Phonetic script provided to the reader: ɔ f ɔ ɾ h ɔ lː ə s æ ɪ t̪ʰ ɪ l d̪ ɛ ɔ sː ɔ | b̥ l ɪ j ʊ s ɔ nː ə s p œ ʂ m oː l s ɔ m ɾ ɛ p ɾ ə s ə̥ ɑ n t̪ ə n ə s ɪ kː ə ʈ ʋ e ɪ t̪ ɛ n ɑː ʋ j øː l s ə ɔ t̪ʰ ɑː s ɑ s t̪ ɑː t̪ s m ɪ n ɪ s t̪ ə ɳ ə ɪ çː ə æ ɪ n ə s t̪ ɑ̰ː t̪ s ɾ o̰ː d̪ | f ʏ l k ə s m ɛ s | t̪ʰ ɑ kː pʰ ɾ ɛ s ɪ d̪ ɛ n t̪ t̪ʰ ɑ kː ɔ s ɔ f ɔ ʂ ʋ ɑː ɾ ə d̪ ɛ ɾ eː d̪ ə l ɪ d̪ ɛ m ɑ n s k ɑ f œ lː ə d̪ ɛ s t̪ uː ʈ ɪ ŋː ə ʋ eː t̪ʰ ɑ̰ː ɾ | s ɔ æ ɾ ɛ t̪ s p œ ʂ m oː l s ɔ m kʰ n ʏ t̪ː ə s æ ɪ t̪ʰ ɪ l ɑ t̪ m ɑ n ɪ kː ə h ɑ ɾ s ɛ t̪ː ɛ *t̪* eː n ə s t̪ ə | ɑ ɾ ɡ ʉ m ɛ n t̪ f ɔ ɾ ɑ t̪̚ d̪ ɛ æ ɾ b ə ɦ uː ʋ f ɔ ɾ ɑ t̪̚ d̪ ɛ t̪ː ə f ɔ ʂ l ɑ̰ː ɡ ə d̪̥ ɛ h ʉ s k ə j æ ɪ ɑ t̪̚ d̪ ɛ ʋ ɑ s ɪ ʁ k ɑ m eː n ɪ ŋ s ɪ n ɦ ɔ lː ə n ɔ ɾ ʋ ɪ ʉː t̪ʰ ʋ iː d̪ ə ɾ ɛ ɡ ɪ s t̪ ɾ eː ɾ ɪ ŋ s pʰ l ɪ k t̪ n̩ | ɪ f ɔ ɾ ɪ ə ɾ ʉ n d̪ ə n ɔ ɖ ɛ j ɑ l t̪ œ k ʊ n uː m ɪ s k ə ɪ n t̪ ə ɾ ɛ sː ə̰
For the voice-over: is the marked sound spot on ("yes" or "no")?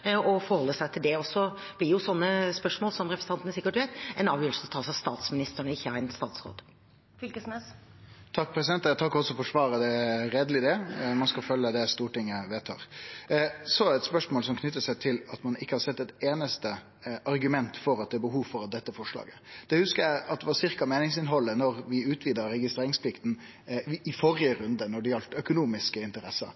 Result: yes